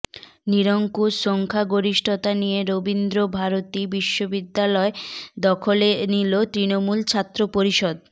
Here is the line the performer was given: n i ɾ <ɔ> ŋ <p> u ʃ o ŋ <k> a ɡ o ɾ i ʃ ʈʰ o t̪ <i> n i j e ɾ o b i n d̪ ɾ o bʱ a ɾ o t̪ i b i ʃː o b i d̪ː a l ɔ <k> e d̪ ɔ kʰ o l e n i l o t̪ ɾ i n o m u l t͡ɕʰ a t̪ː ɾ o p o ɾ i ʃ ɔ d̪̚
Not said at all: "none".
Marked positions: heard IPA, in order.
o, k, kʰ, a, none

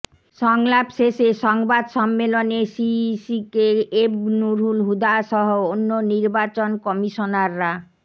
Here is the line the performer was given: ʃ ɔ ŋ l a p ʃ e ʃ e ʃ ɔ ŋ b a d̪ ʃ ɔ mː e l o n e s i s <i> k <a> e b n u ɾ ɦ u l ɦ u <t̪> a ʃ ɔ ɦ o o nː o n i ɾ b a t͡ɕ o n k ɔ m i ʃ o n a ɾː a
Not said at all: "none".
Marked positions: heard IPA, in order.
i, e, d̪

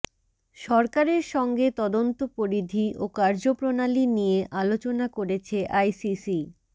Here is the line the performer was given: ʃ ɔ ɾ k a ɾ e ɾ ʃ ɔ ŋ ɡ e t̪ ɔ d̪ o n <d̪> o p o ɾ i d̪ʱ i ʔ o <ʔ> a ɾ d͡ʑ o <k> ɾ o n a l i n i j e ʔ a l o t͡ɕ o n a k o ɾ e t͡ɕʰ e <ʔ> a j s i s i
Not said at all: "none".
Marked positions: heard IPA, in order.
t̪, k, p, ʔ

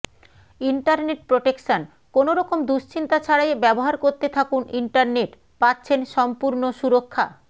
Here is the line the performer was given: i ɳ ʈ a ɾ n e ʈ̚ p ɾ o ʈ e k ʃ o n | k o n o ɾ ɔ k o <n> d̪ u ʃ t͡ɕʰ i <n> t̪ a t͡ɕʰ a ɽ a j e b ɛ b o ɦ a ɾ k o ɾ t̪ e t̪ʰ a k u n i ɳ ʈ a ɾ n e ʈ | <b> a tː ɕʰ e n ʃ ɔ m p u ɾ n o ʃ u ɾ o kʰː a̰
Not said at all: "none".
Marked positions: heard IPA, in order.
m, n, p

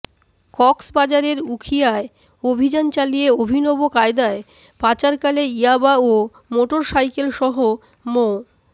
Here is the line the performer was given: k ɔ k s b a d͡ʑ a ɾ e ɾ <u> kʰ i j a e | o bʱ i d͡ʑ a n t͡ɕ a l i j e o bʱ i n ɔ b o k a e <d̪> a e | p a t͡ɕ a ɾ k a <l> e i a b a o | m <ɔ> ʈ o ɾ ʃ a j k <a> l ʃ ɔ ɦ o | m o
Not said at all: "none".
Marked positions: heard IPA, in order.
u, d̪, l, o, e

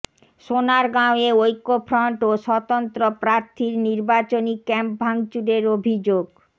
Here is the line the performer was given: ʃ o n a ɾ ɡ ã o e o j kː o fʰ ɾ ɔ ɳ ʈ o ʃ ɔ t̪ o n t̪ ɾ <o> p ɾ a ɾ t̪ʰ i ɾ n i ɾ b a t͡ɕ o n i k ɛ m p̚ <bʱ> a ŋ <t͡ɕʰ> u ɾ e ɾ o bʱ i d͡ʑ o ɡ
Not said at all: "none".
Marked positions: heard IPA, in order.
o, bʱ, t͡ɕ

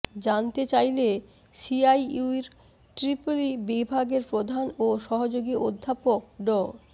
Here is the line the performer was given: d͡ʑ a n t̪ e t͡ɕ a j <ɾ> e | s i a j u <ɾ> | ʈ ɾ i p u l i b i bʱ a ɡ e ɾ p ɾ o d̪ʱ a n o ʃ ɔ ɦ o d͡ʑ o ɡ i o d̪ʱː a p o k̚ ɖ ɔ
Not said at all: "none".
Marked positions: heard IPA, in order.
l, ɾ

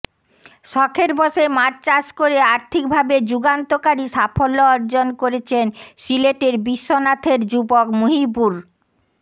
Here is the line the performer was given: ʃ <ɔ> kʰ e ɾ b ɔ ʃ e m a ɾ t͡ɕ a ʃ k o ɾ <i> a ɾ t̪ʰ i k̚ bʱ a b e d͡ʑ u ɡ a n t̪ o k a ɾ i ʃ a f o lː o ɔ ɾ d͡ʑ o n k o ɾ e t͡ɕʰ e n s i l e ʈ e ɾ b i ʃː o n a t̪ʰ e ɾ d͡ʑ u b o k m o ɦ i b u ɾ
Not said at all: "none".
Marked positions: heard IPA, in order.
ɔ, e

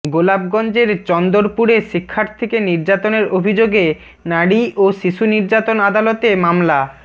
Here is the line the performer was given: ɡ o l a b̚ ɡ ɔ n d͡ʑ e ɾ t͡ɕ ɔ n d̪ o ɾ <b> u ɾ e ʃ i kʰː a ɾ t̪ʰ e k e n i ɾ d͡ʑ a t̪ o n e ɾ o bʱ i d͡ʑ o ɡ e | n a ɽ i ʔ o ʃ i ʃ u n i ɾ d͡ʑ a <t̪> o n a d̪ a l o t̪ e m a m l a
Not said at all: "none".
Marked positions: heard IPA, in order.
p, t̪

